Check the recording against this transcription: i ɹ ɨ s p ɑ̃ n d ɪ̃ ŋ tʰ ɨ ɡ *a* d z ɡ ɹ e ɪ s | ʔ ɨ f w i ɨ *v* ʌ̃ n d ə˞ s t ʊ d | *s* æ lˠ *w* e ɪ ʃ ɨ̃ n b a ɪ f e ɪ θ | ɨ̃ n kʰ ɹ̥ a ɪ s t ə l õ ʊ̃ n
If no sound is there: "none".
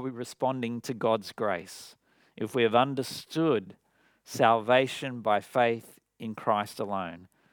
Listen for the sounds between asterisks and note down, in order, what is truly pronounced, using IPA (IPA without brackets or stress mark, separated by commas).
ɑ, v, s, v